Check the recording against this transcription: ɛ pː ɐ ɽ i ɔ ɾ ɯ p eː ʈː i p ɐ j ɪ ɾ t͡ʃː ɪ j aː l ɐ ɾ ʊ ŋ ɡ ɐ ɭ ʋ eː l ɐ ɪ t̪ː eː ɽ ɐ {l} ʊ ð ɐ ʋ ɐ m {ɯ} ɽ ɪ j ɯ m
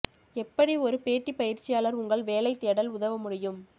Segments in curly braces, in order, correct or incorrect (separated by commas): correct, incorrect